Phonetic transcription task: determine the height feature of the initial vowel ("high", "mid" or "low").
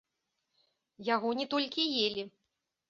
low